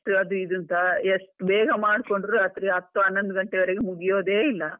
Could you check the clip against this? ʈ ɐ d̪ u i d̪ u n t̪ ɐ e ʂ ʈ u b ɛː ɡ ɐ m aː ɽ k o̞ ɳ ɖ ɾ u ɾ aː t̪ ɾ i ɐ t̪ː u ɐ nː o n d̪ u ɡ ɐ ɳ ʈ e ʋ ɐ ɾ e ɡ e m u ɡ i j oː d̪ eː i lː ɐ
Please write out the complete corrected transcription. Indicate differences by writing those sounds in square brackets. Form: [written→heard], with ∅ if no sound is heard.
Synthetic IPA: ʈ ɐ d̪ u i d̪ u n t̪ ɐ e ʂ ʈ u b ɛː ɡ ɐ m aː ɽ k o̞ ɳ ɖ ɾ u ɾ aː t̪ ɾ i ɐ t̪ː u ɐ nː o n d̪ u ɡ ɐ ɳ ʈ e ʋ ɐ ɾ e ɡ e m u ɡ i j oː d̪ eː i lː ɐ